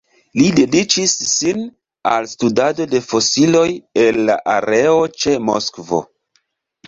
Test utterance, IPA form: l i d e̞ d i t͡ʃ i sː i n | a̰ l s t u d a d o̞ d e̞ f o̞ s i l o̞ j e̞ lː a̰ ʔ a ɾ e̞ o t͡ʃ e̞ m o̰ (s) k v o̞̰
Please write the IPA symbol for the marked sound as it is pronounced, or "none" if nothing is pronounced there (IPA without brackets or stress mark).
s